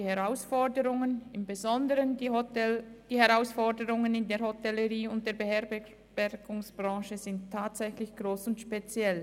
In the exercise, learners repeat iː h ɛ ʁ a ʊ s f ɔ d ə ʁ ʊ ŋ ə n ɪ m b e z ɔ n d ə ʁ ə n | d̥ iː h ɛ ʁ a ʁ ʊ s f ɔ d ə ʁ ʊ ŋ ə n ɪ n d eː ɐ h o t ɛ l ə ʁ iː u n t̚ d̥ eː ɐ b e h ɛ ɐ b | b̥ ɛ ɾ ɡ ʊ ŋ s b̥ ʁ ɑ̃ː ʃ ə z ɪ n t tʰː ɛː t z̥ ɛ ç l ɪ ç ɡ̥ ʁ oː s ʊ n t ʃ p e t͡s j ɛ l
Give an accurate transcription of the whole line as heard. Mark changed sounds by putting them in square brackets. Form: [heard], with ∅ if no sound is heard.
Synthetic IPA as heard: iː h ɛ ʁ a ʊ s f ɔ d ə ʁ ʊ ŋ ə n ɪ m b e z ɔ n d ə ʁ ə n | d̥ iː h ɛ ʁ a [∅] ʊ s f ɔ d ə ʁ ʊ ŋ ə n ɪ n d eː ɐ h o t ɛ l ə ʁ iː [ʊ] n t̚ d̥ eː ɐ b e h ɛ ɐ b | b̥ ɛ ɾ ɡ ʊ ŋ s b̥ ʁ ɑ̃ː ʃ ə z ɪ n t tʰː [aː] t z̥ ɛ ç l ɪ ç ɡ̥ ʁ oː s ʊ n t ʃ p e t͡s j ɛ l